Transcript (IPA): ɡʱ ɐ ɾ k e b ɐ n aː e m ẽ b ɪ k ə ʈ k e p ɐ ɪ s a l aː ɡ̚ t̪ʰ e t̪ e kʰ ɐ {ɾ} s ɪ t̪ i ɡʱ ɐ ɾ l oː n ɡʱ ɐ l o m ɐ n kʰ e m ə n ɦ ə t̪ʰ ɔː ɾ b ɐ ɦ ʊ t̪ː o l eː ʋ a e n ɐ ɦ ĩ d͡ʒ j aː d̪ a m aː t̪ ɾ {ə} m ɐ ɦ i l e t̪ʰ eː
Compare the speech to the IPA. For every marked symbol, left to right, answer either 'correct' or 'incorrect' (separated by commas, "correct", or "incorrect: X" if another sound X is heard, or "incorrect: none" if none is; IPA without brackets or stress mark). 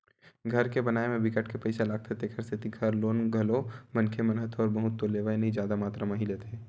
correct, incorrect: a